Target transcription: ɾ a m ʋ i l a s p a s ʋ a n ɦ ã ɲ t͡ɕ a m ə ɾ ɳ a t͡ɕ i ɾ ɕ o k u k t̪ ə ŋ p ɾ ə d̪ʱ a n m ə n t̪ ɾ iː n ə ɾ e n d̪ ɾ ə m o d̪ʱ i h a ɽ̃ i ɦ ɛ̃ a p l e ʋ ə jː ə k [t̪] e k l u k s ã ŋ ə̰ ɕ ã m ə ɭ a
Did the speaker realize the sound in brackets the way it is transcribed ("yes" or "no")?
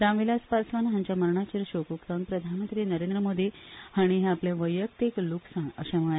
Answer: yes